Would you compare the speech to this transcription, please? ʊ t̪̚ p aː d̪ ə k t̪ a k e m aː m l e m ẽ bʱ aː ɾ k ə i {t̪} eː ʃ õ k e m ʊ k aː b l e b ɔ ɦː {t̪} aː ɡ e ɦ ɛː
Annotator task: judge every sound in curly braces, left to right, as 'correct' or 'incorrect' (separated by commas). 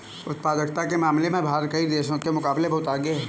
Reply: incorrect, correct